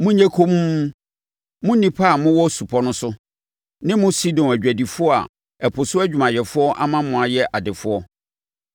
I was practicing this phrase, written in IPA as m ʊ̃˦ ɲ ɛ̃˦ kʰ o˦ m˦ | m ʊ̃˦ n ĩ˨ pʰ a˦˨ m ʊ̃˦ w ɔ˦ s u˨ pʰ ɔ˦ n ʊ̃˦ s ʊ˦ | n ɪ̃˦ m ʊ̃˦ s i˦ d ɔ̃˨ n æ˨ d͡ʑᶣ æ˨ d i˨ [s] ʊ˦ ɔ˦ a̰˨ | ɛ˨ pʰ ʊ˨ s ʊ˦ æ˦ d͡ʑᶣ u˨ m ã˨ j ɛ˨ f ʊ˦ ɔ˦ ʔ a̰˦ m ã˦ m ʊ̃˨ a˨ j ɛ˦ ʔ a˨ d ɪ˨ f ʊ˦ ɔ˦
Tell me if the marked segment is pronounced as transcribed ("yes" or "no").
no